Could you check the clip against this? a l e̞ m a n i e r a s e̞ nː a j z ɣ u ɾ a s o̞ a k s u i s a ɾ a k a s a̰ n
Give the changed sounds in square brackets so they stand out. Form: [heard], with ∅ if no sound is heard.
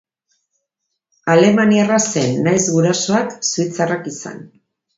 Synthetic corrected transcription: a l e̞ m a n i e r a s e̞ nː a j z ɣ u ɾ a s o̞ a k s u i [t͡s] a [r] a k [i] s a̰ n